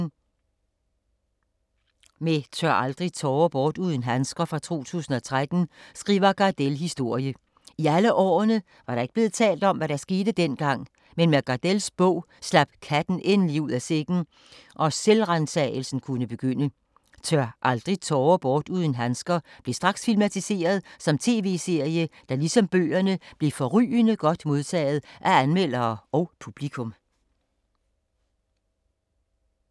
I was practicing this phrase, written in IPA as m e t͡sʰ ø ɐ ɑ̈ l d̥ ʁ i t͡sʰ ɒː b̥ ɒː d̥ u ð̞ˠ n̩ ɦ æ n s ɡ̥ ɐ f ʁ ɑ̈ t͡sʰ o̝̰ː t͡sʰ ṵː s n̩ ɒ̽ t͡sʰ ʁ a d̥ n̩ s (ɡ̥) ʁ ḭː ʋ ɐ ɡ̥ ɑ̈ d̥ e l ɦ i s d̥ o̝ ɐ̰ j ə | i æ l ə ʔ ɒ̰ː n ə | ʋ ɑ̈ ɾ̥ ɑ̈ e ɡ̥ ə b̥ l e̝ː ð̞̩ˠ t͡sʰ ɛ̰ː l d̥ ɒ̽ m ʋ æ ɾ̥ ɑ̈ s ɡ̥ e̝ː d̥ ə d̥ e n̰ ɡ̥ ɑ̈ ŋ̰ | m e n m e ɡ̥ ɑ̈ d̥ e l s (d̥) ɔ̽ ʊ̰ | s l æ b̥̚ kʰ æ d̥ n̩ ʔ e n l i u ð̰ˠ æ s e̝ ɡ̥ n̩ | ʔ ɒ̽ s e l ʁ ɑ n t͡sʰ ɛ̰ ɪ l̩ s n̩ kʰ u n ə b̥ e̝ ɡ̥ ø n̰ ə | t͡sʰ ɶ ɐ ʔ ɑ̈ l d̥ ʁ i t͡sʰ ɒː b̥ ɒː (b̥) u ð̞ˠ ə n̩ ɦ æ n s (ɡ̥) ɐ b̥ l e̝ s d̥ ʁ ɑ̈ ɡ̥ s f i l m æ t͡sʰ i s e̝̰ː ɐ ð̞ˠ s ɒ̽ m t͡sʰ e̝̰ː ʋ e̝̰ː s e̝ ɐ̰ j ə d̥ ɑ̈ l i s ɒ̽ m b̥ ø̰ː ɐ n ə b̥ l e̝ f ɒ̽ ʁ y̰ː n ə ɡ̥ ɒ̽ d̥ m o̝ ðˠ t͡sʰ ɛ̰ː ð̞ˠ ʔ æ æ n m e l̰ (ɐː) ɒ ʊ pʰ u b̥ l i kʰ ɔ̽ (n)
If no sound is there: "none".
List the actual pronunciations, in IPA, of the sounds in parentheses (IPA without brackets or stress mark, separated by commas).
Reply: ɡ̥, b̥, d̥, ɡ̥, ɐː, m